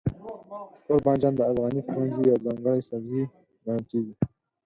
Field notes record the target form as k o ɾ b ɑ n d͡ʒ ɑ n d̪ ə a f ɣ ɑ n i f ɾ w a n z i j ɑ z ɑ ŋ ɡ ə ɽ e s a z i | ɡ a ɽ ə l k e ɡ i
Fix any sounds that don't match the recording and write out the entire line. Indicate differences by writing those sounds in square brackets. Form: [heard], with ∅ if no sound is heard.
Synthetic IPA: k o ɾ b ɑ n d͡ʒ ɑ n d̪ ə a f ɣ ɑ n i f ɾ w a n z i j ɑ z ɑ ŋ ɡ ə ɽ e s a z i | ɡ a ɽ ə l k e ɡ i